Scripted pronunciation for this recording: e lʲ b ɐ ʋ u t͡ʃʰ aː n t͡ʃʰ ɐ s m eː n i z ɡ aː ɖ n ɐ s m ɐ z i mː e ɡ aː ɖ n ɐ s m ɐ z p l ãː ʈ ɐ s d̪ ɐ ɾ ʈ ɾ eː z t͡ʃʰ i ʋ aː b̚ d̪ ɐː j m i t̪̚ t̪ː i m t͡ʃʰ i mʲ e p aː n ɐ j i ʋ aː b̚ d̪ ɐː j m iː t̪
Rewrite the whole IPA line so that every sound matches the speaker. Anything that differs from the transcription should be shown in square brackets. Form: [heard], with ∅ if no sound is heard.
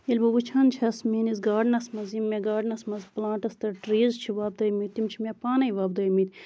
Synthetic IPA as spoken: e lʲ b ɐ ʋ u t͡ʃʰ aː n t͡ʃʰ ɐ s m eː n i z ɡ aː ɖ n ɐ s m ɐ z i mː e ɡ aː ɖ n ɐ s m ɐ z p l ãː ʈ ɐ s [t̪] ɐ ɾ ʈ ɾ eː z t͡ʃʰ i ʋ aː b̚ d̪ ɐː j m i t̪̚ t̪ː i m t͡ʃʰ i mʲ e p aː n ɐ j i ʋ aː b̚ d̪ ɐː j m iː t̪